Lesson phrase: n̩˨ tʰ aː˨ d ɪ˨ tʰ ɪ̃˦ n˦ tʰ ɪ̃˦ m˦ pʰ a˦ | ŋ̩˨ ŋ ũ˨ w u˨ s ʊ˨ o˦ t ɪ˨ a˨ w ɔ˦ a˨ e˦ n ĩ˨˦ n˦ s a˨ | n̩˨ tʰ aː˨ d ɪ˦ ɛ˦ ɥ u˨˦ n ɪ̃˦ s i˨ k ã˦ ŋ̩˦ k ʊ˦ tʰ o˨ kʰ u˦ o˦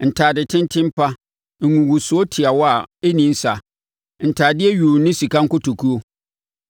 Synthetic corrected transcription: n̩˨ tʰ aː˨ d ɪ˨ tʰ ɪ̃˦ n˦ tʰ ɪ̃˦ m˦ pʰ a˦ | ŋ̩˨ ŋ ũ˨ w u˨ s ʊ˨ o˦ tʰ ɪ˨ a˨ w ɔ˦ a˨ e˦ n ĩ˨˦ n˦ s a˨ | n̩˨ tʰ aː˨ d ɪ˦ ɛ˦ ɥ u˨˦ n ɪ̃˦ s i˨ k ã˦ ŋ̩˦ k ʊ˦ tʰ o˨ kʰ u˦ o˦